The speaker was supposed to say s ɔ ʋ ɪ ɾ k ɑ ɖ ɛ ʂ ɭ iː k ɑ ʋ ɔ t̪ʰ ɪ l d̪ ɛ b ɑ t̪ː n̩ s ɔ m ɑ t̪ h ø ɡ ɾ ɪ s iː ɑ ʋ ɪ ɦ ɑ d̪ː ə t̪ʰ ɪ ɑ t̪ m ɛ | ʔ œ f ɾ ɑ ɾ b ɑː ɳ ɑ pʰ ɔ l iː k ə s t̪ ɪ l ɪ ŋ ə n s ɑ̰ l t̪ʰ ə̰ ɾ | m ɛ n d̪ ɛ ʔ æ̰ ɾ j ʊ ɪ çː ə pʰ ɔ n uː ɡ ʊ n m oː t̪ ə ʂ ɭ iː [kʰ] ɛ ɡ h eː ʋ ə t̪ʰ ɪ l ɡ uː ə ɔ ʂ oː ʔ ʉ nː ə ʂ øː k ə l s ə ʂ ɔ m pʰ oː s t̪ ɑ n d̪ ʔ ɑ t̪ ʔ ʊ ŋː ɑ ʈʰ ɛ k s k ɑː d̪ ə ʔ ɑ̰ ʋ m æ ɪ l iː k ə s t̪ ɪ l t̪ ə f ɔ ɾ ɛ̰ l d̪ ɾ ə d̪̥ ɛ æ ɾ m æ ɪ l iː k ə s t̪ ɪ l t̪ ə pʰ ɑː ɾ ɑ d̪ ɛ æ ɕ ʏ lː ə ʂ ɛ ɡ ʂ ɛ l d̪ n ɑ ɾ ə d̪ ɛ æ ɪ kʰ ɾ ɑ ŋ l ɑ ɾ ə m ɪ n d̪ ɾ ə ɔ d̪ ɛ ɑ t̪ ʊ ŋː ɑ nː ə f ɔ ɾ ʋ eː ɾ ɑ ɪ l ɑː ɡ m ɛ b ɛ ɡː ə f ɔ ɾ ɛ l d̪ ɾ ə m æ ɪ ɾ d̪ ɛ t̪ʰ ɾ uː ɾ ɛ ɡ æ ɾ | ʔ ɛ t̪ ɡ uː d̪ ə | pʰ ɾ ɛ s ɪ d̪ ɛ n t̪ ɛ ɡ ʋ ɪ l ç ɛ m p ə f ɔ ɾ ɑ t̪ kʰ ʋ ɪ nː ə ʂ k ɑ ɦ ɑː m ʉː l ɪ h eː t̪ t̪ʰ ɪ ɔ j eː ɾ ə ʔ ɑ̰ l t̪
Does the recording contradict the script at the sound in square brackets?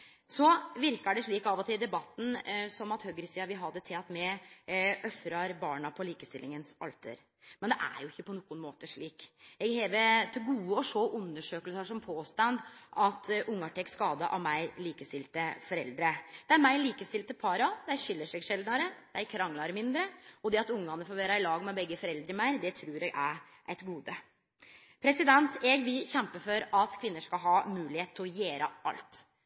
yes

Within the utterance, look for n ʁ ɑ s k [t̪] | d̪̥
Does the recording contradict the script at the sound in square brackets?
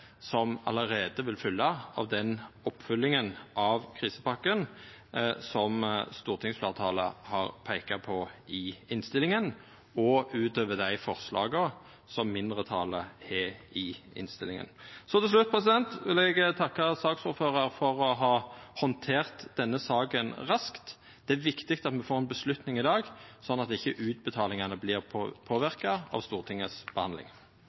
no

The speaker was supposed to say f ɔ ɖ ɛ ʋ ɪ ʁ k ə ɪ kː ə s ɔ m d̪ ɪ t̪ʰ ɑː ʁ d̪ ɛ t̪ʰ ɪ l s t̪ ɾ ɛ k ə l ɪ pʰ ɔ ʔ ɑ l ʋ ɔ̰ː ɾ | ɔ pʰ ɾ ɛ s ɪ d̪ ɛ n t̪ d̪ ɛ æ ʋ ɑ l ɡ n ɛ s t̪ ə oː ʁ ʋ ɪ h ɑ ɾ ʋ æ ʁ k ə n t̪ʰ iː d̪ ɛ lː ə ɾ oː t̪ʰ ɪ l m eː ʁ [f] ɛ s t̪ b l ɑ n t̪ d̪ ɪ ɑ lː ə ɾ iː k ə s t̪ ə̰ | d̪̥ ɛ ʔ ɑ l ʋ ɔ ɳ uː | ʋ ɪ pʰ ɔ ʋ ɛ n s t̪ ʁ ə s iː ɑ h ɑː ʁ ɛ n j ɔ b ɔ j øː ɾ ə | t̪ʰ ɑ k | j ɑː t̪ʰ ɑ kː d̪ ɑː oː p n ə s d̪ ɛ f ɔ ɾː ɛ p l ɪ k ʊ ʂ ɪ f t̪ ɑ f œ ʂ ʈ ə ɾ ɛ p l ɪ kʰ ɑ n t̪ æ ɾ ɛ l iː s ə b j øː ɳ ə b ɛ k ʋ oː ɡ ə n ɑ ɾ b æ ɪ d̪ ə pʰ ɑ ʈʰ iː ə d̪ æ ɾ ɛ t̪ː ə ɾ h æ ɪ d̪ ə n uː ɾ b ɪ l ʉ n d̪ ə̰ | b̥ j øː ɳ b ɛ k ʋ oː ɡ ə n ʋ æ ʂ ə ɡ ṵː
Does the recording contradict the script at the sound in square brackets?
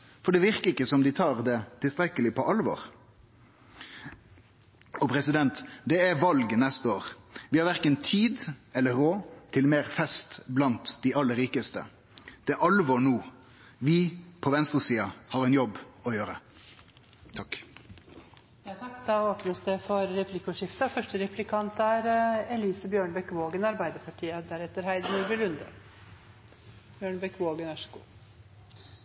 no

